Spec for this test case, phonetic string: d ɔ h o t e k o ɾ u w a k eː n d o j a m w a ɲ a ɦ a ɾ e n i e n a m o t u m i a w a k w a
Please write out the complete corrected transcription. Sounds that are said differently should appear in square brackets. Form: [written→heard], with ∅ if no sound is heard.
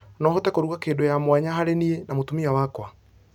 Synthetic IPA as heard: [d→n] ɔ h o t [e→ɛ] k o ɾ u [w→ɣ] a k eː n d o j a m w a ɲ a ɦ a ɾ e n i e n a m o t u m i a w a k w a